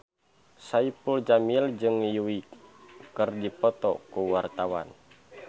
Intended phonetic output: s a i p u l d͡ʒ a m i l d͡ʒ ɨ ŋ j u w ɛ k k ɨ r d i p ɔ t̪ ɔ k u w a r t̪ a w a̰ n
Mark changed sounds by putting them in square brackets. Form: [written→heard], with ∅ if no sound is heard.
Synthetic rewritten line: s a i p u l d͡ʒ a m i l d͡ʒ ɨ ŋ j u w [ɛ→i] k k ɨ r d i p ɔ t̪ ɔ k u w a r t̪ a w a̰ n